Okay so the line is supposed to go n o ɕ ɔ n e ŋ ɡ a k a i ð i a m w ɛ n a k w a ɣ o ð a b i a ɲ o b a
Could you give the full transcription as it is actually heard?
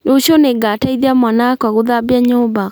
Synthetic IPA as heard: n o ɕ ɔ n e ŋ ɡ a t a i ð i a m w a n a k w a ɣ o ð a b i a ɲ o b a